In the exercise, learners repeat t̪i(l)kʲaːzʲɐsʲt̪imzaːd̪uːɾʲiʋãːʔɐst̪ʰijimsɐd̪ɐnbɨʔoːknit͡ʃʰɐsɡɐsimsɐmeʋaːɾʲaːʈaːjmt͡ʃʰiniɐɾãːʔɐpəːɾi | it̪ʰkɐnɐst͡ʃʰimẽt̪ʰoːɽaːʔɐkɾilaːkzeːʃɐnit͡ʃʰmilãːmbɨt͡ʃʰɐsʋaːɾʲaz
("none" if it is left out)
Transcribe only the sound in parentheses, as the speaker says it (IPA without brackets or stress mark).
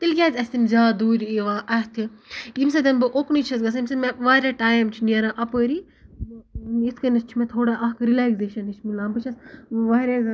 l